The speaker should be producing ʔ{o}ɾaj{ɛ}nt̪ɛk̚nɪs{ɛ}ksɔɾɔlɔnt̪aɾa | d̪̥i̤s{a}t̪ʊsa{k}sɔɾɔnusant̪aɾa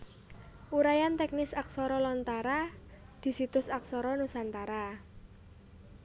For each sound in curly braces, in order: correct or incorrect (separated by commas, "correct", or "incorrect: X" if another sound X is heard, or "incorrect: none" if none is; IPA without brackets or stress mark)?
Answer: incorrect: u, incorrect: a, incorrect: a, incorrect: i, correct